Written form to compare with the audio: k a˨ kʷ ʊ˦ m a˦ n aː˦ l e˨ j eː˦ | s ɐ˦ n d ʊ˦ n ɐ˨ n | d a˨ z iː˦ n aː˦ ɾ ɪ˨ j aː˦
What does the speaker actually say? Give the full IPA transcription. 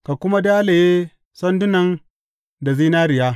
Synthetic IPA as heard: k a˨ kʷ ʊ˦ m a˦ d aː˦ l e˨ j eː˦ | s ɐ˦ n d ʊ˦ n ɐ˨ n | d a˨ z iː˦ n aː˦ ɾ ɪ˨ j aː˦

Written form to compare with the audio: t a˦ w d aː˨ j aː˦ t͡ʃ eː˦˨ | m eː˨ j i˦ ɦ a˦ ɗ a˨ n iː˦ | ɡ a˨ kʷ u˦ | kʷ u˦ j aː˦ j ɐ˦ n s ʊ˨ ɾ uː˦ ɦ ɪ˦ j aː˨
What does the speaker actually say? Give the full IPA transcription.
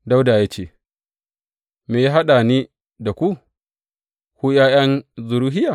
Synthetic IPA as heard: d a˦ w d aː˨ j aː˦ t͡ʃ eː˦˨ | m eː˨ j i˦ ɦ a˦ ɗ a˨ n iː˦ | d a˨ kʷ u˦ | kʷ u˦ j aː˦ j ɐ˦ n z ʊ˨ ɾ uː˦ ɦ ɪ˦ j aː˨

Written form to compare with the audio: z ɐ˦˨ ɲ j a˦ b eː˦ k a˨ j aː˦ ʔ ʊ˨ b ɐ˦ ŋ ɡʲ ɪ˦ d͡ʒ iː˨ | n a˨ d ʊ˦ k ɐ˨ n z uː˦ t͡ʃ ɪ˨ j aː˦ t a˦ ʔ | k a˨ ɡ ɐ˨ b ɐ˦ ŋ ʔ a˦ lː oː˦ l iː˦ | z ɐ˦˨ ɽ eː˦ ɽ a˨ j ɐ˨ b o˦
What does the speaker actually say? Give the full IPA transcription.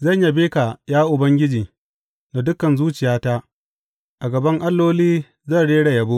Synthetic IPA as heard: z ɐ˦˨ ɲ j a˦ b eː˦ k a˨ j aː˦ ʔ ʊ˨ b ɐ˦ ŋ ɡʲ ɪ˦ d͡ʒ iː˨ | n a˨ d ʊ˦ k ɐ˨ n z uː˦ t͡ʃ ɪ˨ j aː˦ t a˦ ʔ | ʔ a˨ ɡ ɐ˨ b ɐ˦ ŋ ʔ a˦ lː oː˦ l iː˦ | z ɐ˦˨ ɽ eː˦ ɽ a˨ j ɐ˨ b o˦

